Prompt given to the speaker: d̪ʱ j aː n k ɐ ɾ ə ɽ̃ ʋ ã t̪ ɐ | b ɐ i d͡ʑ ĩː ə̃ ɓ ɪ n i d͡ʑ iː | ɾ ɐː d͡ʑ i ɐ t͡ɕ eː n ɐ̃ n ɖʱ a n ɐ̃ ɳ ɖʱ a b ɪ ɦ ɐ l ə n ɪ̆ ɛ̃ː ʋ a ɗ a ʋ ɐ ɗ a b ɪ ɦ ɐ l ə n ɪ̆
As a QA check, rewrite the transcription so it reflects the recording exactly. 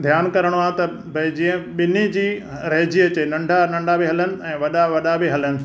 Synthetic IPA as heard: d̪ʱ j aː n k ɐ ɾ ə ɽ̃ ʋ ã t̪ ɐ | b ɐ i d͡ʑ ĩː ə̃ ɓ ɪ n i d͡ʑ iː | ɾ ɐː d͡ʑ i ɐ t͡ɕ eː n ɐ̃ ɳ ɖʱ a n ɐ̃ ɳ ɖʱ a b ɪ ɦ ɐ l ə n ɪ̆ ɛ̃ː ʋ ɐ ɗ a ʋ ɐ ɗ a b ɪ ɦ ɐ l ə n ɪ̆